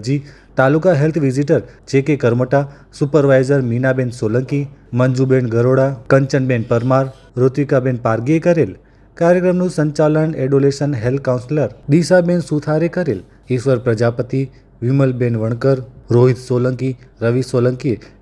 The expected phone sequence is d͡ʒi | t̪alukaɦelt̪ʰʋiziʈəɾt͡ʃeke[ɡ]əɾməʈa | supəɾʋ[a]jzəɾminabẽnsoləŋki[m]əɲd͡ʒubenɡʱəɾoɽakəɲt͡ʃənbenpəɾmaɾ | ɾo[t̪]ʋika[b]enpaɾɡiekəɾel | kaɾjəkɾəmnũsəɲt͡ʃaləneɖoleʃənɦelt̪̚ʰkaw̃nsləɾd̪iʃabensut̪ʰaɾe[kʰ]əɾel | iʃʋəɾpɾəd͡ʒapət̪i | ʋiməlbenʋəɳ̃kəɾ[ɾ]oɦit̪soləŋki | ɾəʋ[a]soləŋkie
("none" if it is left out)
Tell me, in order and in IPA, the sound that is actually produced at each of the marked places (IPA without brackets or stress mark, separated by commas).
k, a, m, t̪, b, k, ɾ, i